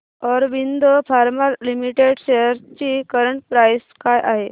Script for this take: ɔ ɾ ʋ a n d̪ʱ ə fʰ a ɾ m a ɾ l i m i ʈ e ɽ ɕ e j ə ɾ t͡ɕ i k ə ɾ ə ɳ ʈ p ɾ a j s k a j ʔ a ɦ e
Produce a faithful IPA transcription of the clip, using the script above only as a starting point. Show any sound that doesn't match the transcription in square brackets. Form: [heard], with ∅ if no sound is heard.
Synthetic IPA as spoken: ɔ ɾ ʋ [i] n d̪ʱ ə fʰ a ɾ m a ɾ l i m i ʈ e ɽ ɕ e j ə ɾ t͡ɕ i k ə ɾ ə ɳ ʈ p ɾ a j s k a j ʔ a ɦ e